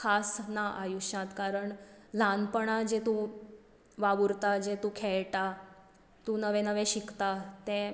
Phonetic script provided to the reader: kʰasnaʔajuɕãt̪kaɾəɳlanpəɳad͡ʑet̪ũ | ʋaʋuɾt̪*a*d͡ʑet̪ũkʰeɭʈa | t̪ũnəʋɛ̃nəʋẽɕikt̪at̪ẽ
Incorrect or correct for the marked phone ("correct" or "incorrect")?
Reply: correct